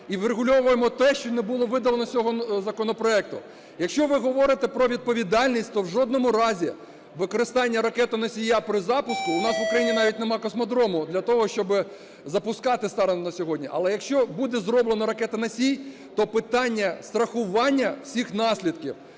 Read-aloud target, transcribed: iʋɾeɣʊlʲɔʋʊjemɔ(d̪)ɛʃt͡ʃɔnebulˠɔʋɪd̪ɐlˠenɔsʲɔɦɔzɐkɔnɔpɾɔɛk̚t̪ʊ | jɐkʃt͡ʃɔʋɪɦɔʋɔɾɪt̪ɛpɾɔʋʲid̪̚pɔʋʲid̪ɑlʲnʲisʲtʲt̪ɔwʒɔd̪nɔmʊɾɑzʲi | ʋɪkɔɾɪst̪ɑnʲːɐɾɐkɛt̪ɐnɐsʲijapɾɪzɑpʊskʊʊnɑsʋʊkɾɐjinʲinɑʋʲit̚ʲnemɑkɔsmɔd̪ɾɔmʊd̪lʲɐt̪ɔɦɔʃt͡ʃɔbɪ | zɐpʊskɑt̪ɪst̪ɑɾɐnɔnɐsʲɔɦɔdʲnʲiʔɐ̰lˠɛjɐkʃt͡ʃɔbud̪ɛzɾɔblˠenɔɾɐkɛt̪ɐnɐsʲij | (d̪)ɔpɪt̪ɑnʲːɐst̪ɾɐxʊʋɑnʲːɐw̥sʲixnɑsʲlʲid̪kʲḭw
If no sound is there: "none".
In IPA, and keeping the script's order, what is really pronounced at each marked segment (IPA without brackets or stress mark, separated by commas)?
t̪, t̪